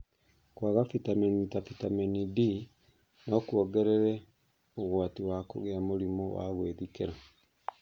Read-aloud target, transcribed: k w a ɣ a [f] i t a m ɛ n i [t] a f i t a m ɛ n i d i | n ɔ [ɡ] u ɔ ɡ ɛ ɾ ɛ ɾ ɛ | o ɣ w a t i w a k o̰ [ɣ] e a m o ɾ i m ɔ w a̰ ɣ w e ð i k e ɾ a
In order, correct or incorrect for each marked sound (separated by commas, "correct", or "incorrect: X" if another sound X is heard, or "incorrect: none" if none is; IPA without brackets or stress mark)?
correct, correct, incorrect: k, correct